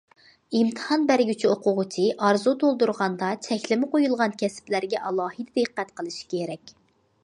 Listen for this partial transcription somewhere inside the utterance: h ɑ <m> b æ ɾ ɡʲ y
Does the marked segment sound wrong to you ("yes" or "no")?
yes